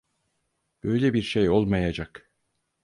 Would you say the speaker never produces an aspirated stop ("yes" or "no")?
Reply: yes